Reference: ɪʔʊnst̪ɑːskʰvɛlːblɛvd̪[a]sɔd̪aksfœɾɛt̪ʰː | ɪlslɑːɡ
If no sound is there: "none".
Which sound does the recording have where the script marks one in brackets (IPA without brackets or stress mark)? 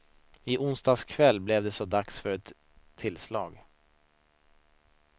ɛ